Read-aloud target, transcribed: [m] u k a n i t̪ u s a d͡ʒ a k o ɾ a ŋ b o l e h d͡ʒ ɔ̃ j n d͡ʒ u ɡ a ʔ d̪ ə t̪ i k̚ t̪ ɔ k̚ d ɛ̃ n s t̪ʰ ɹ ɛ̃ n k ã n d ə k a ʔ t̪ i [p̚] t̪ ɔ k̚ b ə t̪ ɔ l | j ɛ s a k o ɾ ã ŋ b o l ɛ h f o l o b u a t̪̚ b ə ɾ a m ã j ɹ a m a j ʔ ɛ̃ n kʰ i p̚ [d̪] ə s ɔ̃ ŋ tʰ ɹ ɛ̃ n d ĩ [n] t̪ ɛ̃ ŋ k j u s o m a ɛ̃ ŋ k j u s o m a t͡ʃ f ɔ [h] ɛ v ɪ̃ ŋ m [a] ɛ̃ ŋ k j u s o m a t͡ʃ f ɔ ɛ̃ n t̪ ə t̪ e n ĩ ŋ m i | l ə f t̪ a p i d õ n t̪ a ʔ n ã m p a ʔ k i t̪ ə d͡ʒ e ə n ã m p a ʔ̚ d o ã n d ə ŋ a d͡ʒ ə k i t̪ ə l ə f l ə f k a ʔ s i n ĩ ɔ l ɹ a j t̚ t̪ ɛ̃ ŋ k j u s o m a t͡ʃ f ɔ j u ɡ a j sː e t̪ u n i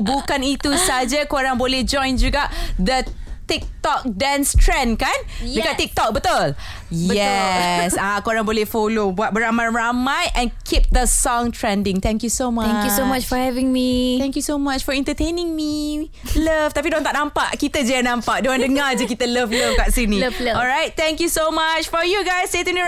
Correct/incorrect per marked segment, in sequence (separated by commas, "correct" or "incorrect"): incorrect, incorrect, correct, incorrect, correct, incorrect